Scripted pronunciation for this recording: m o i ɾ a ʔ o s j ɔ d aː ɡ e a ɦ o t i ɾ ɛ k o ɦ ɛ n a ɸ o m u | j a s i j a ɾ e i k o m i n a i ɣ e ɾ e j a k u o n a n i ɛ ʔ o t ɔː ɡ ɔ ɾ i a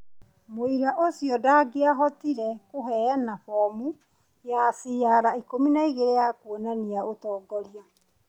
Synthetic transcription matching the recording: m o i ɾ a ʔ o s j ɔ d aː ɡ e a ɦ ɔ t i ɾ ɛ k o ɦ ɛ n a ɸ ɔ m u | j a s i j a ɾ a i k o m i n a i ɣ e ɾ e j a k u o n a n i a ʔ o t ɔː ɡ ɔ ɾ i a